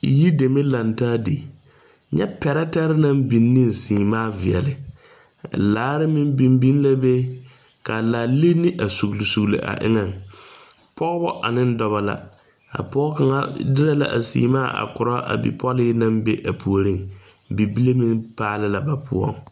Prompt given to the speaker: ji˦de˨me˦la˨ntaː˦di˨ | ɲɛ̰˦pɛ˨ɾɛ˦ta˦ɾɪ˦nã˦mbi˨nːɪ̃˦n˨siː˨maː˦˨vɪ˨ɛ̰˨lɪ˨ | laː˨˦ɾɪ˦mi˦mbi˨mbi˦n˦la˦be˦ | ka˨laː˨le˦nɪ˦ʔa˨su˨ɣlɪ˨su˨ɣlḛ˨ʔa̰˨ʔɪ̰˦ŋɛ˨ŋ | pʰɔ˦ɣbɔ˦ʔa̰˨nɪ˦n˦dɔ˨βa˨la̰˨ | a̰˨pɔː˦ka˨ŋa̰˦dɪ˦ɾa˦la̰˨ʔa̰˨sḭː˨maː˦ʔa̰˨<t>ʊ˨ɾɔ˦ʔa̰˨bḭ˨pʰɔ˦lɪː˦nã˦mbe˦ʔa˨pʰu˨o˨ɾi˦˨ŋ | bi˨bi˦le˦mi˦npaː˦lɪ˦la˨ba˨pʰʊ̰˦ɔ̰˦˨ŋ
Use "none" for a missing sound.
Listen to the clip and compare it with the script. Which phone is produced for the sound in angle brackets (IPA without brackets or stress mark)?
k